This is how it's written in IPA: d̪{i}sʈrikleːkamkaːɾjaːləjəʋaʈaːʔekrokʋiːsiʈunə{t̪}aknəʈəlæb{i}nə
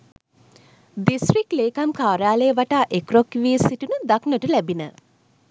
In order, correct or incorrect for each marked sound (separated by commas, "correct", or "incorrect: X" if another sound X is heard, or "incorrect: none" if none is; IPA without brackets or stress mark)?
correct, incorrect: d̪, correct